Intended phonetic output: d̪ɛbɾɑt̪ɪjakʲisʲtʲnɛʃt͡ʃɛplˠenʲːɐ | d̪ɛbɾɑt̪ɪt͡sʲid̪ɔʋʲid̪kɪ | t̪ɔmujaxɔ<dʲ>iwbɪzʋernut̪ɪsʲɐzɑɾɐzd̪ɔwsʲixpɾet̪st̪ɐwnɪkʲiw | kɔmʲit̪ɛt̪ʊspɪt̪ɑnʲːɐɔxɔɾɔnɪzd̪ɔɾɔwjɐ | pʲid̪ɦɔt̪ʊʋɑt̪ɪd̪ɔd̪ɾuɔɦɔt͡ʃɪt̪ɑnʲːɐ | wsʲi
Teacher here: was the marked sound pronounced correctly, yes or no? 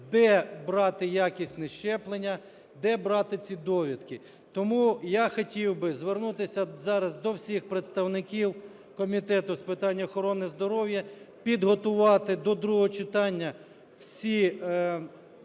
no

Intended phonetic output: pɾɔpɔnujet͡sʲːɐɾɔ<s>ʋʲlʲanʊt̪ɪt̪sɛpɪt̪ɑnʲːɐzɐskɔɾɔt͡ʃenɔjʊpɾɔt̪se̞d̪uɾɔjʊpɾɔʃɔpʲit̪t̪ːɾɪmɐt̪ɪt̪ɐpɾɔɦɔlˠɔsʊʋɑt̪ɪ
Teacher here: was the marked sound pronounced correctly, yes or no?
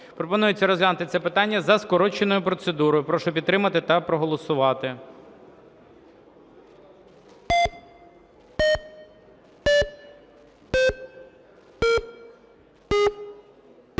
no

